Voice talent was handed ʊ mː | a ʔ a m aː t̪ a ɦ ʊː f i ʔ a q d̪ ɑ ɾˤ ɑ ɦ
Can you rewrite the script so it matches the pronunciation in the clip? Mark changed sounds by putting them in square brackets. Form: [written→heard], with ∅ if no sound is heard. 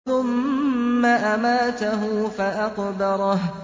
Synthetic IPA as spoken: ʊ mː | a ʔ a m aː t̪ a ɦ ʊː f [i→a] ʔ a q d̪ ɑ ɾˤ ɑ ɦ